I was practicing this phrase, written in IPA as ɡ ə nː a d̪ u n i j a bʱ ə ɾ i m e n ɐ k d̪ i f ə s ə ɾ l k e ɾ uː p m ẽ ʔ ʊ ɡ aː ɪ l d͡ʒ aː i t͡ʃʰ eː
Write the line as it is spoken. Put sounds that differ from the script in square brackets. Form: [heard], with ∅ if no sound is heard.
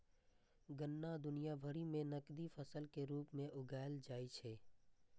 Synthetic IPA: ɡ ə nː a d̪ [ʊ] n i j a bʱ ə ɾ i m [ẽ] n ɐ k d̪ i f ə s ə [∅] l k e ɾ uː p m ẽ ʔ ʊ ɡ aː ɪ l d͡ʒ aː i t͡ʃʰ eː